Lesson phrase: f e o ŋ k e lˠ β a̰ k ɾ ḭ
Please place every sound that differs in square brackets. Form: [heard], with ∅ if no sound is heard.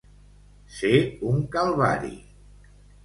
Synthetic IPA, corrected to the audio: [s] e [u] ŋ k [a] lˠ β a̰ [∅] ɾ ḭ